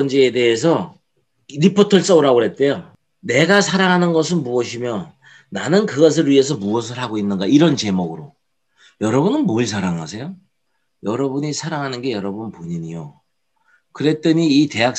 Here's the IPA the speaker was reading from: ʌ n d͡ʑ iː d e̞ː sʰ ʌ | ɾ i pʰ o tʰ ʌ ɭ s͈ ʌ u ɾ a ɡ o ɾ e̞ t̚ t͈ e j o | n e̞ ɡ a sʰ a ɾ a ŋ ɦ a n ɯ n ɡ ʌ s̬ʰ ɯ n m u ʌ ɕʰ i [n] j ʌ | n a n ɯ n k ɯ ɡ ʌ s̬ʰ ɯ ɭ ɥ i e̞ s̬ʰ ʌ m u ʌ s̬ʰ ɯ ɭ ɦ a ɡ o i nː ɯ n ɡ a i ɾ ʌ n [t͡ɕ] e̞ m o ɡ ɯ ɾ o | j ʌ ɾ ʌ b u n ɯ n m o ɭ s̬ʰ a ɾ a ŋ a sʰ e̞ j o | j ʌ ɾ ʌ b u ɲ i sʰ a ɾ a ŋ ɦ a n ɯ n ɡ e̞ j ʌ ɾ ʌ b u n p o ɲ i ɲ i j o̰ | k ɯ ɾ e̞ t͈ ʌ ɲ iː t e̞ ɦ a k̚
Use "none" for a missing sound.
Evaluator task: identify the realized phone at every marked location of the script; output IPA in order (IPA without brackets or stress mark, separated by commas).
m, t͡ɕ